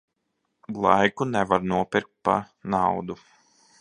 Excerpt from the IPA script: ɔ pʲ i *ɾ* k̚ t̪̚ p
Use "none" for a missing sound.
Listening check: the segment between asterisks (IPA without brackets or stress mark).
ɾ